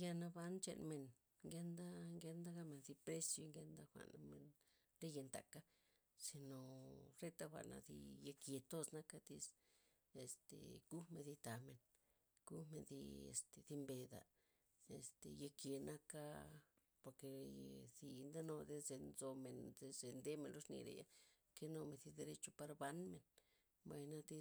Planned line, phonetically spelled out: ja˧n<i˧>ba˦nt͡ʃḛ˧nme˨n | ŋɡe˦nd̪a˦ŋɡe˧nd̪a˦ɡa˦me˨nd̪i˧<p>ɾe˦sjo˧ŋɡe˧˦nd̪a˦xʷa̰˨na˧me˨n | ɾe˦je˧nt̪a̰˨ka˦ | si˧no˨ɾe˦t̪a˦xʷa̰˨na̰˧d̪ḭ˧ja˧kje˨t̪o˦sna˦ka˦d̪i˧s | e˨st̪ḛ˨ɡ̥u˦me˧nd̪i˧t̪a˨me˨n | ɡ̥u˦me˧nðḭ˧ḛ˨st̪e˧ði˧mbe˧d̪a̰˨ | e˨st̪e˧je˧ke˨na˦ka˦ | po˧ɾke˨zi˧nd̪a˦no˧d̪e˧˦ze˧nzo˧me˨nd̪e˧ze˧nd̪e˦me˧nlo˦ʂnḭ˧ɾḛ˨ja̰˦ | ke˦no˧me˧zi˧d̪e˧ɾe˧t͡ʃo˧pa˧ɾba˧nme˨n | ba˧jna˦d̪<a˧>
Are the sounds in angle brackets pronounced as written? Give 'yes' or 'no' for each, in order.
no, yes, no

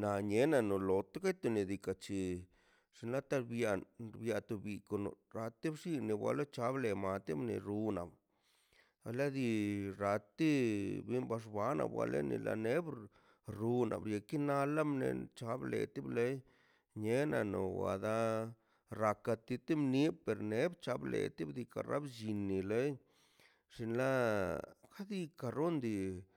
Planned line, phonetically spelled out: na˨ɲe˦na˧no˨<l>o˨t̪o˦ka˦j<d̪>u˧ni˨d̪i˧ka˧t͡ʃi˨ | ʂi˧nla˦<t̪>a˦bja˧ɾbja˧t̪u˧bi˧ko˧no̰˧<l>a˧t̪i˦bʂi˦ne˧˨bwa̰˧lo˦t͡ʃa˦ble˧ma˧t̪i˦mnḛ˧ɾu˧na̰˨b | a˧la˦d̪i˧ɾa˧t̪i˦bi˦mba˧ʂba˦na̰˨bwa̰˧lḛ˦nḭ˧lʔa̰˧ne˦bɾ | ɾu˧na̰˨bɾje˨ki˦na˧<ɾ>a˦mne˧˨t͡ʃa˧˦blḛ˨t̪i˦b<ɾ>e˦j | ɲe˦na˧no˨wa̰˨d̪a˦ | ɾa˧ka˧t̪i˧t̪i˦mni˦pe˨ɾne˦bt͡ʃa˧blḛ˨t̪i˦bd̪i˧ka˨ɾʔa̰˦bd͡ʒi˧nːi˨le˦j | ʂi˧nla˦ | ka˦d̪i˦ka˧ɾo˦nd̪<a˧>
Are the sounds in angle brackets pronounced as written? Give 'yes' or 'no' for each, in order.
yes, no, yes, no, no, no, no

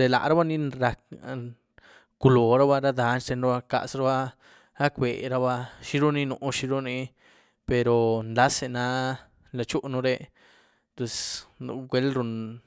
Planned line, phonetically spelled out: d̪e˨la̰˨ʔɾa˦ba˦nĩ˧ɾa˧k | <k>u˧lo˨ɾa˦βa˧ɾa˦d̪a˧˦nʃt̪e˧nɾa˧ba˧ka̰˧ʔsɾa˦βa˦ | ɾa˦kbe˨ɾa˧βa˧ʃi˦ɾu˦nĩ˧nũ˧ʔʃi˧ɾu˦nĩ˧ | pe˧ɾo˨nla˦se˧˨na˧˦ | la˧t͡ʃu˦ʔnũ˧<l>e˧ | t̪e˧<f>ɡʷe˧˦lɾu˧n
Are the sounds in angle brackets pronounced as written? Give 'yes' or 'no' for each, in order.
yes, no, no

